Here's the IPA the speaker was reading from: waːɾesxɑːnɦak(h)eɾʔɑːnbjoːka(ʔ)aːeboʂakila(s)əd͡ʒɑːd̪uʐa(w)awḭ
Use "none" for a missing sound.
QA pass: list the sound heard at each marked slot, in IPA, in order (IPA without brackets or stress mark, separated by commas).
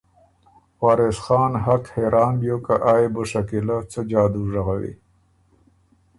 h, ʔ, t͡s, ɣ